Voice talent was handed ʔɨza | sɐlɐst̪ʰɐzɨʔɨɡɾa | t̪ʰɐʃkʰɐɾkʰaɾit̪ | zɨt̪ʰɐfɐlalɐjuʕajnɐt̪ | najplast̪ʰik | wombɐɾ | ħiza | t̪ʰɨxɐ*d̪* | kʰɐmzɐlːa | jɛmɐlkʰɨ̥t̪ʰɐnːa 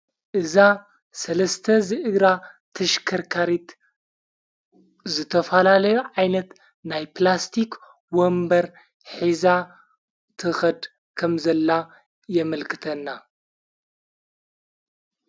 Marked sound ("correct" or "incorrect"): correct